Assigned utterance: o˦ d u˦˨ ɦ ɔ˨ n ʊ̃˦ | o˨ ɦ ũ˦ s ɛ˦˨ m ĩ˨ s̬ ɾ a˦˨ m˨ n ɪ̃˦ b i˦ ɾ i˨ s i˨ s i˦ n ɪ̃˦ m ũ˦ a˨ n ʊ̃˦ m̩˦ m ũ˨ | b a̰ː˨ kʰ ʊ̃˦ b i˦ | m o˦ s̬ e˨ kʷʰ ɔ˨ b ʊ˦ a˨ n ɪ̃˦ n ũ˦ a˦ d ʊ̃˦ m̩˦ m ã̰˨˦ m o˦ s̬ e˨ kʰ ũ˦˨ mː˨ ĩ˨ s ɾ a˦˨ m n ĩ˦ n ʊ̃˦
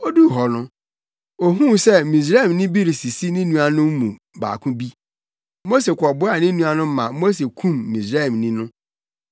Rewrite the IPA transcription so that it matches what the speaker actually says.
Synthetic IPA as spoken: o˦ d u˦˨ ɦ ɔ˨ n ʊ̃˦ | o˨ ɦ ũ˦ s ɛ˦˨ m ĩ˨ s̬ ɾ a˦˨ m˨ n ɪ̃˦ b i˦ ɾ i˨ s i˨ s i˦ n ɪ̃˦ n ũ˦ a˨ n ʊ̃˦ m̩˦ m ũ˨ | b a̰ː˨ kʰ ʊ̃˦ b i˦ | m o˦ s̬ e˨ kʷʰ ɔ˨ b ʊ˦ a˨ n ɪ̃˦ n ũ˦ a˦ n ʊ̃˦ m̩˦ m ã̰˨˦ m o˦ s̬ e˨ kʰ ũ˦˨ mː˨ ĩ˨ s ɾ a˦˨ m n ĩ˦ n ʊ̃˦